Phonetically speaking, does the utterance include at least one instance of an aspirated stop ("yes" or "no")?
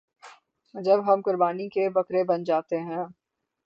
no